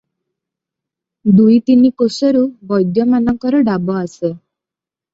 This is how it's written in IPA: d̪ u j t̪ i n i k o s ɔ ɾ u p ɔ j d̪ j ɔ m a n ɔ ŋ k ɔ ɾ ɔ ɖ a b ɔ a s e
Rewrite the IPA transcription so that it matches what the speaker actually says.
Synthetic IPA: d̪ u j t̪ i n i k o s ɔ ɾ u b ɔ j d̪ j ɔ m a n ɔ ŋ k ɔ ɾ ɔ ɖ a b ɔ a s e